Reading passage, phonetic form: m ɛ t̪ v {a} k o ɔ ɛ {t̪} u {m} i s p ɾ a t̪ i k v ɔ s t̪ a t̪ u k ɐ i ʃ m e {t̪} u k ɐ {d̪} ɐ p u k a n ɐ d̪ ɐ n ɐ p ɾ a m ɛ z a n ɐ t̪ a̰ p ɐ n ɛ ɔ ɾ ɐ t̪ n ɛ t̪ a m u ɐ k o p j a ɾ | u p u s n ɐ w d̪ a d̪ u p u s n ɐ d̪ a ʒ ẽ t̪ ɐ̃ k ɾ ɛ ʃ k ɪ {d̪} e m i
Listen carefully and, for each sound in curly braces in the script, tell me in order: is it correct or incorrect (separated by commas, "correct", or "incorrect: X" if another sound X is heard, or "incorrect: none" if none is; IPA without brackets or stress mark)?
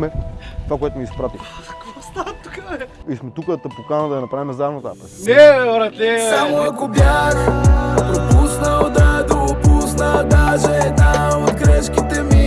correct, correct, correct, correct, incorrect: t̪, incorrect: t̪